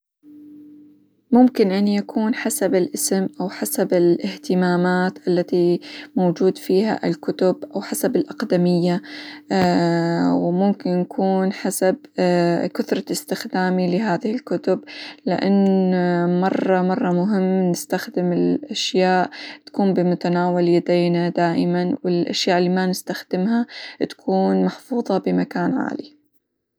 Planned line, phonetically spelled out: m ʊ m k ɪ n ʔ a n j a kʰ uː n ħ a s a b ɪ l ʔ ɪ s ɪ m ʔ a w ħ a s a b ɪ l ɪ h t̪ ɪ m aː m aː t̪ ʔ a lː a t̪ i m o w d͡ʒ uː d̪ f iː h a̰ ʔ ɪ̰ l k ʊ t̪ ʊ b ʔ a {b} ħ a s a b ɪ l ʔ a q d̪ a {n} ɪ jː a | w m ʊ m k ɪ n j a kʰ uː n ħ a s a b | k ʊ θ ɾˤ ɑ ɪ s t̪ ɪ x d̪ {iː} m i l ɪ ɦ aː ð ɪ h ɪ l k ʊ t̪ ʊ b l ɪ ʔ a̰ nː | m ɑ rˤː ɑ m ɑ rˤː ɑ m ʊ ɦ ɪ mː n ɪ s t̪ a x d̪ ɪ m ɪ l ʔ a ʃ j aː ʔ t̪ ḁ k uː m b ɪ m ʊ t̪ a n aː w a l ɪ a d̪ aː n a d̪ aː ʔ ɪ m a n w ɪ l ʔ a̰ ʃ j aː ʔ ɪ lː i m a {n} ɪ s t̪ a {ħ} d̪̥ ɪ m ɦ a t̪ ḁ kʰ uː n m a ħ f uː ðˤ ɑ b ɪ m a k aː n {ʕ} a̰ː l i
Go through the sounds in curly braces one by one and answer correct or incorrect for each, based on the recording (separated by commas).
incorrect, incorrect, incorrect, correct, incorrect, correct